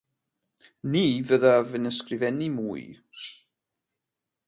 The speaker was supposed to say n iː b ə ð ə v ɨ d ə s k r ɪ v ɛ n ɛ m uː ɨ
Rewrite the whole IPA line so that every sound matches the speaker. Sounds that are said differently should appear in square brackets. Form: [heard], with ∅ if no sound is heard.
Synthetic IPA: n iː [v] ə ð [a] v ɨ [n] ə s k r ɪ v ɛ n [i] m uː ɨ